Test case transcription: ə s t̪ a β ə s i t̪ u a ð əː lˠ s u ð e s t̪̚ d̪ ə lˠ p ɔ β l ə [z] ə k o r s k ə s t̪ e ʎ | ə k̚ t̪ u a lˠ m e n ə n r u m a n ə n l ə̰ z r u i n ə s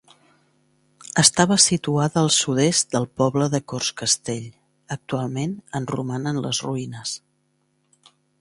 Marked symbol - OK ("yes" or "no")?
no